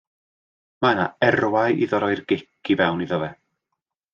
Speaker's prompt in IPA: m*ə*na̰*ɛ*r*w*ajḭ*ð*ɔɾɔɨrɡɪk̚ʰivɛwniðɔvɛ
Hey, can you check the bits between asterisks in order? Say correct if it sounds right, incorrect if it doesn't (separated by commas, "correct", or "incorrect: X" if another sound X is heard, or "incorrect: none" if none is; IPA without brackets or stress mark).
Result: incorrect: a, correct, correct, correct